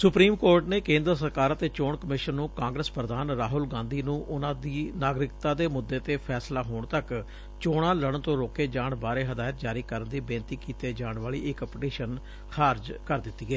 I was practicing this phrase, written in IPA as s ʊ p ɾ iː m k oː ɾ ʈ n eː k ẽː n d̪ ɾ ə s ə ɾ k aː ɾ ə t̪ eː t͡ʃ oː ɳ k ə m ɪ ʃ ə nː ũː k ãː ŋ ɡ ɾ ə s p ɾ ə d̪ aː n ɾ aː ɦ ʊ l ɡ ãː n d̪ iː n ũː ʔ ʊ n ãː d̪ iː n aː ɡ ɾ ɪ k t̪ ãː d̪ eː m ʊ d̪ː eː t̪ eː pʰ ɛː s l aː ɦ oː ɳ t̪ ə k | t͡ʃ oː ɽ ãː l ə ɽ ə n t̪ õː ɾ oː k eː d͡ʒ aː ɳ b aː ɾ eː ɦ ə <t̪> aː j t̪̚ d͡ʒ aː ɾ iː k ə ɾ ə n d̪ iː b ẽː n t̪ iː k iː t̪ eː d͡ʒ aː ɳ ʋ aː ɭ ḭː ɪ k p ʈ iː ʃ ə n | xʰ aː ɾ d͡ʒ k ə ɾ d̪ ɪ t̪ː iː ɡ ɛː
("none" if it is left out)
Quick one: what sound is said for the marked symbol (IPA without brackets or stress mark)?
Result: d̪